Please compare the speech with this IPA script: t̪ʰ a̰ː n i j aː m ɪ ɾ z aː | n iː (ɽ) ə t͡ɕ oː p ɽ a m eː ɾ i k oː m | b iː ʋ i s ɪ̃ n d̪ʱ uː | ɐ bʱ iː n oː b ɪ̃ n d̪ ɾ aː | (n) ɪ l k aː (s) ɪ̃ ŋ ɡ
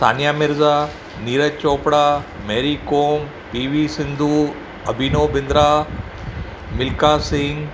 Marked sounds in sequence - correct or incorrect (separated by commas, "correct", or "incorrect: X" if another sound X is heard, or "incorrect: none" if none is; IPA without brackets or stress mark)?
incorrect: ɾ, incorrect: m, correct